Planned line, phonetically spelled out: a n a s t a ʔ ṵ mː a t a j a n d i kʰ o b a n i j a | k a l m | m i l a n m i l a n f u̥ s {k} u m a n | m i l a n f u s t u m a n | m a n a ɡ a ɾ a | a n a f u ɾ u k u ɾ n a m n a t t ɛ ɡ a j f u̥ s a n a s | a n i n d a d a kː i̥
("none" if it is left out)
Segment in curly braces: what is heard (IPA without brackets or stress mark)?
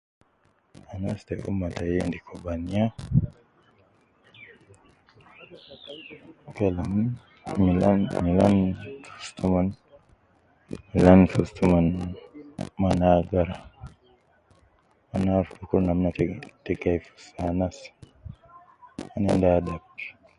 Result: t